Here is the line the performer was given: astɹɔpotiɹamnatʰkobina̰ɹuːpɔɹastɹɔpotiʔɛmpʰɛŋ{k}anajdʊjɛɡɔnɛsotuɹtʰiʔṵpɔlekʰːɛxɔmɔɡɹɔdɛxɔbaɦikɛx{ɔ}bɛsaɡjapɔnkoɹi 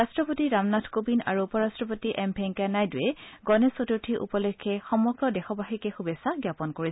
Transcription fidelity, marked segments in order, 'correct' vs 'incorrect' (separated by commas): correct, incorrect